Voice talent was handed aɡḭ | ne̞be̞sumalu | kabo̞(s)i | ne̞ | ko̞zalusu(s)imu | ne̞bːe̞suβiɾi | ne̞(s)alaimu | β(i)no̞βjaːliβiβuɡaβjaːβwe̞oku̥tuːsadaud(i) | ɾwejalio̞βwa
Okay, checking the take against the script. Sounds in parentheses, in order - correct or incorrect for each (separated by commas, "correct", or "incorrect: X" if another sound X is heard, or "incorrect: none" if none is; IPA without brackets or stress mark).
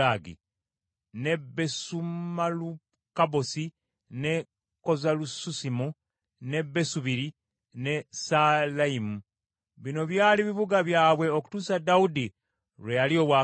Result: correct, correct, correct, correct, correct